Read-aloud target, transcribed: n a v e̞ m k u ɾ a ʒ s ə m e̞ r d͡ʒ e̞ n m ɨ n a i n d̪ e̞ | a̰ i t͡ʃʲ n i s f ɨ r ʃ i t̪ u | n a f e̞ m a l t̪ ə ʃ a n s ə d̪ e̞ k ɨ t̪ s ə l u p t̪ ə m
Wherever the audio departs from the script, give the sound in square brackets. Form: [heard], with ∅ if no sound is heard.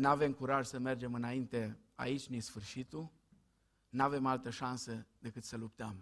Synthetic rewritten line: n a v e̞ m k u ɾ a ʒ s ə m e̞ r d͡ʒ e̞ [∅] m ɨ n a i n [t̪] e̞ | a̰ i t͡ʃʲ n i s f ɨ r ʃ i t̪ u | n a [v] e̞ m a l t̪ ə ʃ a n s ə d̪ e̞ k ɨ t̪ s ə l u p t̪ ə m